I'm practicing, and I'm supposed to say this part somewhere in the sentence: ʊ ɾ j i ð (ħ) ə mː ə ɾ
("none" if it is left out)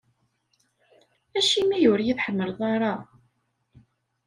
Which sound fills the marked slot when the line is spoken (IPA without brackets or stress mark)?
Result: ħ